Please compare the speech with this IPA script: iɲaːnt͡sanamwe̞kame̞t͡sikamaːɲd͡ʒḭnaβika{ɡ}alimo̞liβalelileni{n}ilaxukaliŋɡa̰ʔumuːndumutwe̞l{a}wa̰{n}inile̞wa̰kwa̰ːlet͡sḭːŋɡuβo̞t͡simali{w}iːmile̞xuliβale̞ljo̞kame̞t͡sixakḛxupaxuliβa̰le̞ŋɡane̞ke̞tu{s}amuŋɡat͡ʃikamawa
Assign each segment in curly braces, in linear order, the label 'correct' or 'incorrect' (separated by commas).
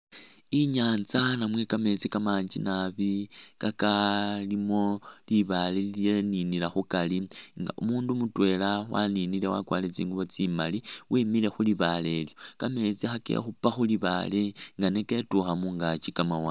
incorrect, correct, correct, correct, correct, incorrect